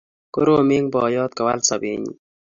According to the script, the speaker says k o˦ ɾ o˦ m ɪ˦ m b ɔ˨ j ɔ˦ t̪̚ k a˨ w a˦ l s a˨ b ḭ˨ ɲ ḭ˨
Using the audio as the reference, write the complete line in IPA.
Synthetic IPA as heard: k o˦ ɾ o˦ m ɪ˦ ŋ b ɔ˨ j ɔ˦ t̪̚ k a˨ w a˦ l s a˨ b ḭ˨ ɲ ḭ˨